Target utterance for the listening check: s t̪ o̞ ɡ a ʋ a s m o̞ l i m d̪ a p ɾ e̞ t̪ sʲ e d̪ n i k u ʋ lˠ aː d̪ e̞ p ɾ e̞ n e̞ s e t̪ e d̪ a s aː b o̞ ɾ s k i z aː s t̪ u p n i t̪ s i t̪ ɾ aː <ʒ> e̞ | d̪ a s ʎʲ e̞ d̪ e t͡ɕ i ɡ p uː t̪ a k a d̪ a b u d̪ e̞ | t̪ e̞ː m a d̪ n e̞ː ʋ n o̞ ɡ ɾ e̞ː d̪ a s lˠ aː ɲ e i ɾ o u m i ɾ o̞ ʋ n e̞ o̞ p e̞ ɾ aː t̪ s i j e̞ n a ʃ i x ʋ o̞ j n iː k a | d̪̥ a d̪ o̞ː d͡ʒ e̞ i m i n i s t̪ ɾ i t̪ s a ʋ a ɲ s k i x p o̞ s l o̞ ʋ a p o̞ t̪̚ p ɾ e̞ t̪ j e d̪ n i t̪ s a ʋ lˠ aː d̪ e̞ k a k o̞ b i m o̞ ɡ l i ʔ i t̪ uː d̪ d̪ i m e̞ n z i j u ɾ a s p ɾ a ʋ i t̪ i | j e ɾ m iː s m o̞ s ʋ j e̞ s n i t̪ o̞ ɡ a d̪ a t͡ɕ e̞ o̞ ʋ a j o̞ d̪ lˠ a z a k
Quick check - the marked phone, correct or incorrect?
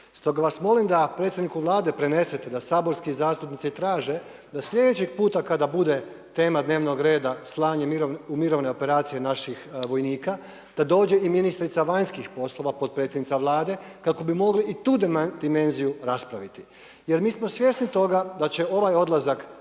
correct